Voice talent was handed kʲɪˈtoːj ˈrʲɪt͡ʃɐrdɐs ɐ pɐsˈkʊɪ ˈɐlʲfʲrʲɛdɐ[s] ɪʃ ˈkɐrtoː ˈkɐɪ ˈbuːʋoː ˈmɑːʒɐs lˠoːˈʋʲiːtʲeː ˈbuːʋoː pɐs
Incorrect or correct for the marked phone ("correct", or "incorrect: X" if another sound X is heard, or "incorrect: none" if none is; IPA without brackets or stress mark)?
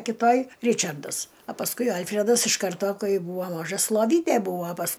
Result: correct